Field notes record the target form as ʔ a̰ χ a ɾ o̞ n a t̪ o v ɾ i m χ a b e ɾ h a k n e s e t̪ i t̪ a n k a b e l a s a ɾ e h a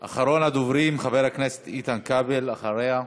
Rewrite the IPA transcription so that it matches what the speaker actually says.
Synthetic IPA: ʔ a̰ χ a ɾ o̞ n a d̪ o v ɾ i m χ a v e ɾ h a k n e s e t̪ i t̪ a n k a b e l a χ a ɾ e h a